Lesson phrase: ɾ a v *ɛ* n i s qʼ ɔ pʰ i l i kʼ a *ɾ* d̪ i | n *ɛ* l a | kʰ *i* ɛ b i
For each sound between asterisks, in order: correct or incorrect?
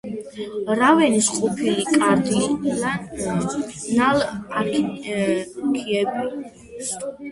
correct, correct, incorrect: a, correct

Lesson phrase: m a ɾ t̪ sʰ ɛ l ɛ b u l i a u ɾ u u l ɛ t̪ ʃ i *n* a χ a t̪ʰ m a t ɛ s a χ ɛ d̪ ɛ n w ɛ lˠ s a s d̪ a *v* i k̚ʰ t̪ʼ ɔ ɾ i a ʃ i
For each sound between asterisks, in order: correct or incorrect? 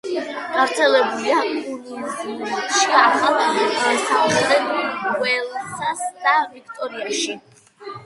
incorrect: none, correct

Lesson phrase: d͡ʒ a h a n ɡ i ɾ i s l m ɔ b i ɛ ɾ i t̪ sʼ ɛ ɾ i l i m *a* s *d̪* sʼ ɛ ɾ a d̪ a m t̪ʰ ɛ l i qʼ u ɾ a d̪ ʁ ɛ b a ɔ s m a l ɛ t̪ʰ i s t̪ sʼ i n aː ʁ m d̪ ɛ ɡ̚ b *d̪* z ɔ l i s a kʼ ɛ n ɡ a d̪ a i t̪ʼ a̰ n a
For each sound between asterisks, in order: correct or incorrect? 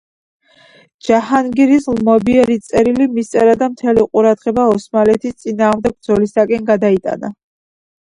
incorrect: i, incorrect: t̪, correct

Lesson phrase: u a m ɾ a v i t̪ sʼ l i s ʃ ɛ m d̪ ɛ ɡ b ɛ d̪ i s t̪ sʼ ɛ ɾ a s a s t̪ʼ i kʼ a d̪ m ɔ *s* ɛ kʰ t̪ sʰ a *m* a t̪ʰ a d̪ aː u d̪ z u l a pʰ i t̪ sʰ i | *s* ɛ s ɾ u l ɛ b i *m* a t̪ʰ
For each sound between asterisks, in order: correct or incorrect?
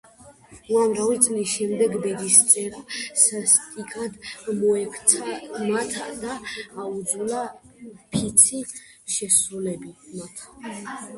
incorrect: none, correct, incorrect: ʃ, correct

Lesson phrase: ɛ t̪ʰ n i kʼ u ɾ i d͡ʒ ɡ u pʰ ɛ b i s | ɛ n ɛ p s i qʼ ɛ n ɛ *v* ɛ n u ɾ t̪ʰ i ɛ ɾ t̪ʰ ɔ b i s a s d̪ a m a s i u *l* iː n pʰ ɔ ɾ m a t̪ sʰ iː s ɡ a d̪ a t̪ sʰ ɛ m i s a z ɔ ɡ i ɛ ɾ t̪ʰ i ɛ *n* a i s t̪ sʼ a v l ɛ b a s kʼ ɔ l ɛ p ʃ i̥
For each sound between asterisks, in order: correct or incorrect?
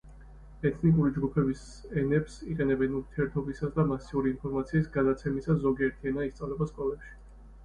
incorrect: b, incorrect: ɾ, correct

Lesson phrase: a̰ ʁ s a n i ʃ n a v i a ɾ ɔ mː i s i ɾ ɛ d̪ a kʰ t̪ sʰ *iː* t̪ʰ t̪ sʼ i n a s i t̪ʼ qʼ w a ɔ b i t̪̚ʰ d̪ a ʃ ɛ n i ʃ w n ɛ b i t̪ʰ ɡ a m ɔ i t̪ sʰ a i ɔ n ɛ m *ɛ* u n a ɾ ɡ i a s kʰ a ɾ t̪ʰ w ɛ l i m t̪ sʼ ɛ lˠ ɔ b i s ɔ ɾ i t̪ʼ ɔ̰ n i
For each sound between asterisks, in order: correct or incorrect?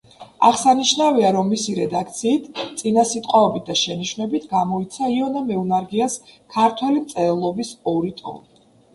correct, correct

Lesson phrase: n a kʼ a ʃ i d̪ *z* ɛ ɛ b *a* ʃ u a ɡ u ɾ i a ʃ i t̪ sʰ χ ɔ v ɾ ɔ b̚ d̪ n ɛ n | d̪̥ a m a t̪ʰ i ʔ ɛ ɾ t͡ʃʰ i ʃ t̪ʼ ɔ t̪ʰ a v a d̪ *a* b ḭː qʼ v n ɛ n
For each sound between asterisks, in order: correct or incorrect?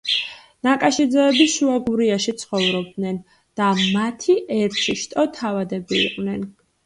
correct, incorrect: i, incorrect: ɛ

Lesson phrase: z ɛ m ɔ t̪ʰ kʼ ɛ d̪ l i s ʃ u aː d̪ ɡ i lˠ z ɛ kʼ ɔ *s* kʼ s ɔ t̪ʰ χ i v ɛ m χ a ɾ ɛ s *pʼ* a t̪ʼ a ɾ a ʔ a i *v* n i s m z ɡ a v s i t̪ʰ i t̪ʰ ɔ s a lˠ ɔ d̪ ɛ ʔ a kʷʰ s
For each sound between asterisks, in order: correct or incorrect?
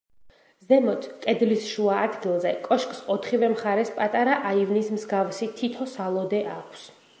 incorrect: ʃ, correct, correct

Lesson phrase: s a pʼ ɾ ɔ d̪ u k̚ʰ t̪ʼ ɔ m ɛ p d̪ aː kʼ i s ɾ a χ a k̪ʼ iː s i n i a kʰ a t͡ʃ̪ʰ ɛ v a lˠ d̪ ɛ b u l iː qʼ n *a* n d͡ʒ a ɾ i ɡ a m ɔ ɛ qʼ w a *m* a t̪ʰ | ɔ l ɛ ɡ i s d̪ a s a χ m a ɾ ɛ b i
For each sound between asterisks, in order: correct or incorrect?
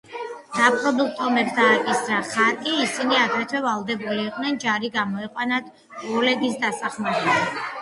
incorrect: ɛ, incorrect: n

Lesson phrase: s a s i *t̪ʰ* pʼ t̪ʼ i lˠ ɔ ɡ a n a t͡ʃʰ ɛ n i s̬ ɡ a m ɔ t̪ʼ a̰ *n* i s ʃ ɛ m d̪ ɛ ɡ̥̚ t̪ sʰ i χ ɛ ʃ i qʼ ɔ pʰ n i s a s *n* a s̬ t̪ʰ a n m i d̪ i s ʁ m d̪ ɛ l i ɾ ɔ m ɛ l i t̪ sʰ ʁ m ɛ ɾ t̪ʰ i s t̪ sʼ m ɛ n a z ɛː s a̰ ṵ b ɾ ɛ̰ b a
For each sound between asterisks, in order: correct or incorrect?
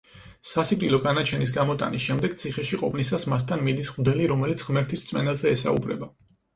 incorrect: none, correct, incorrect: m

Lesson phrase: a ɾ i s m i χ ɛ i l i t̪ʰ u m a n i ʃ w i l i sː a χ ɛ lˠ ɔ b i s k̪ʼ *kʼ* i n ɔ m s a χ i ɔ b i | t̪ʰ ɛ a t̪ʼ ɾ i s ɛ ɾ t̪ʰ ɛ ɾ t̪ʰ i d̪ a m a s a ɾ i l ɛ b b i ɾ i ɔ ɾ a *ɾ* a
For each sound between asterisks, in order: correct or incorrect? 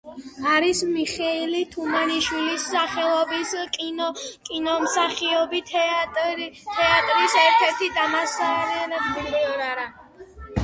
correct, correct

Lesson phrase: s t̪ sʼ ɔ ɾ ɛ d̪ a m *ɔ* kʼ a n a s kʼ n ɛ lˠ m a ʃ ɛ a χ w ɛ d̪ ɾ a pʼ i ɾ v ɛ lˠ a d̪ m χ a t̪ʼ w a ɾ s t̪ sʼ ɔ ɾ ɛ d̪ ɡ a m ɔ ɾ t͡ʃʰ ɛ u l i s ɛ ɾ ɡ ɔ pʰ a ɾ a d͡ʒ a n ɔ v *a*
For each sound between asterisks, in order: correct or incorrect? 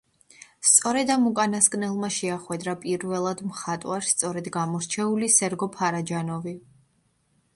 incorrect: u, incorrect: i

